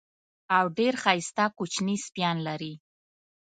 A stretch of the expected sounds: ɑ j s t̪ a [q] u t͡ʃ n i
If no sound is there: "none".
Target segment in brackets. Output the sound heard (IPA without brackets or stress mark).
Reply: k